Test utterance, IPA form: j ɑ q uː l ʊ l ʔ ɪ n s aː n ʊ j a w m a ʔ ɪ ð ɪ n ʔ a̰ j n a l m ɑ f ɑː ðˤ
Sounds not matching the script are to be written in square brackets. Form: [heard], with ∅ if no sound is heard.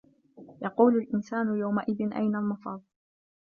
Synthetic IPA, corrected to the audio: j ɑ q uː l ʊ l ʔ ɪ n s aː n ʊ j a w m a ʔ ɪ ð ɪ n ʔ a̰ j n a l m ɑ f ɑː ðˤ